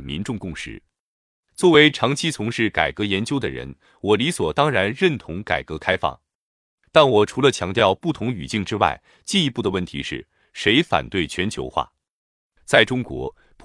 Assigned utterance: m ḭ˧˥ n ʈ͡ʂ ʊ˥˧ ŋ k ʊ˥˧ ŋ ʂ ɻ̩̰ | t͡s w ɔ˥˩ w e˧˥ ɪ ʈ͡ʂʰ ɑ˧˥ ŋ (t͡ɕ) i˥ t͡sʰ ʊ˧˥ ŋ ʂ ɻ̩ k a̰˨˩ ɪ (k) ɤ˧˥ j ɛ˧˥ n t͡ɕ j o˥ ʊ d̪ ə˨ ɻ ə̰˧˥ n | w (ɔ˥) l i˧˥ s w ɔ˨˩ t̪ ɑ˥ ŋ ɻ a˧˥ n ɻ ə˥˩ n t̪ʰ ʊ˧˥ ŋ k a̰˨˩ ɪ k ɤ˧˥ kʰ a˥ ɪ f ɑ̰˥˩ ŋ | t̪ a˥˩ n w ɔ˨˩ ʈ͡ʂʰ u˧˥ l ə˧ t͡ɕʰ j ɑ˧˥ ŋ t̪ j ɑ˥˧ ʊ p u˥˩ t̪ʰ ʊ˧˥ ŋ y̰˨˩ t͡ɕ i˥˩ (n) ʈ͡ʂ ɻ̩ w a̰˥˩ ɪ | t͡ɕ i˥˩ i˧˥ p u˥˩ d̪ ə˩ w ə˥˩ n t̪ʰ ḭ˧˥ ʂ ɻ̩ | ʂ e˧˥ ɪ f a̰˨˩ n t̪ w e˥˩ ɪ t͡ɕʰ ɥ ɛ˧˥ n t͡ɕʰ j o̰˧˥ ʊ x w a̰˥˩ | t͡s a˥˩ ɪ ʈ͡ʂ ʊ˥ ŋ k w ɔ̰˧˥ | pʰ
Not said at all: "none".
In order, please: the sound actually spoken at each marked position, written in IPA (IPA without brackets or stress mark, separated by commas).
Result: t͡ɕʰ, k, ɔ˨˩, ŋ